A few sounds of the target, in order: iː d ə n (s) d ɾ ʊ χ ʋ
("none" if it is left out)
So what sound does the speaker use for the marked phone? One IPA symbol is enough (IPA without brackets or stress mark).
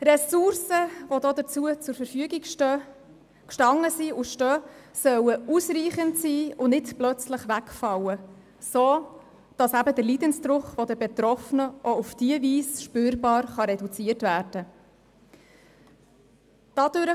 s